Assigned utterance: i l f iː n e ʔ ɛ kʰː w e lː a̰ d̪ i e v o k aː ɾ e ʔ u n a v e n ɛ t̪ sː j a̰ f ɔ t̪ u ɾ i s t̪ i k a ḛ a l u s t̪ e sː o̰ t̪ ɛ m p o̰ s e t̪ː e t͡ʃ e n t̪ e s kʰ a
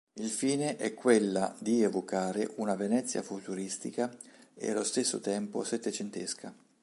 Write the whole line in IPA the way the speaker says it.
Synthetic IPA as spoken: i l f iː n e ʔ ɛ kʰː w e lː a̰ d̪ i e v o k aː ɾ e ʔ u n a v e n ɛ t̪ sː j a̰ f u t̪ u ɾ i s t̪ i k a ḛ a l o s t̪ e sː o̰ t̪ ɛ m p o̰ s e t̪ː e t͡ʃ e n t̪ e s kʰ a